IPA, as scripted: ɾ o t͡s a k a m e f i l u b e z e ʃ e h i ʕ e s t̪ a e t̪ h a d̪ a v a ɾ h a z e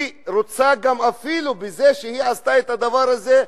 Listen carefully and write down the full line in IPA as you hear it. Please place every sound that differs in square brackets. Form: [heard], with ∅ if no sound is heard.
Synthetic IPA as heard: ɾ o t͡s a [ɡ] a m [a] f i l u b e z e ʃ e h i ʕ [a] s t̪ a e t̪ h a d̪ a v a ɾ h a z e